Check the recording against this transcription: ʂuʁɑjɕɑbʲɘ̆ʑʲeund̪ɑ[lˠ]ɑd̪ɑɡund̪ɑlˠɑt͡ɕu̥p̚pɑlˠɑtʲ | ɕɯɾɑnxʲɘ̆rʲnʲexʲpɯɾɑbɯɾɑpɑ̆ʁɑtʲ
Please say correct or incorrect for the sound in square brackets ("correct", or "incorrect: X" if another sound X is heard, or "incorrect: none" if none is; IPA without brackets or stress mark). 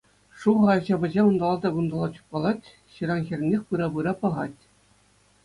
correct